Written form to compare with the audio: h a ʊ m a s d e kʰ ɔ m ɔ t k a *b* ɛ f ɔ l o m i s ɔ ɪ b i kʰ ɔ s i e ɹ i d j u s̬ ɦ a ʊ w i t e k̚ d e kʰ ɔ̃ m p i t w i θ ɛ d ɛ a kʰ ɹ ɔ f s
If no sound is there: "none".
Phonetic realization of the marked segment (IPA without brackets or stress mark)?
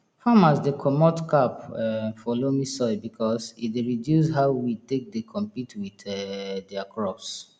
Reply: p